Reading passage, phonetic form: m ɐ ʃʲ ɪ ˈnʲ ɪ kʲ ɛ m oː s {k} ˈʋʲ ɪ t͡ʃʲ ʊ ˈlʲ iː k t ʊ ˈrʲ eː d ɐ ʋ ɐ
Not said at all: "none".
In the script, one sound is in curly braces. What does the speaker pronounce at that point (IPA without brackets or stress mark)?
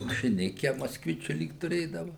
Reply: k